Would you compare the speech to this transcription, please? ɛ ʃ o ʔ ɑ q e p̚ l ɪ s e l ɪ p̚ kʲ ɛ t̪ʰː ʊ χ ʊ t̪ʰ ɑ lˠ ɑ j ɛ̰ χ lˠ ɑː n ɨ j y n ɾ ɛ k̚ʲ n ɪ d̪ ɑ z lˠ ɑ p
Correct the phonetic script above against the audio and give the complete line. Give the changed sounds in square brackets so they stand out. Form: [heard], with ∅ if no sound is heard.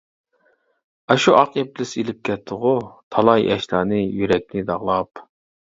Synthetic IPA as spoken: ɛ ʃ [u] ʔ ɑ q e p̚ l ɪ s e l ɪ p̚ kʲ ɛ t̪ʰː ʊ [ʁ] ʊ t̪ʰ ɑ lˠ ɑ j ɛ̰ [ʃ] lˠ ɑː n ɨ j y [∅] ɾ ɛ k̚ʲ n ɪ d̪ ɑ [ʁ] lˠ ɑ p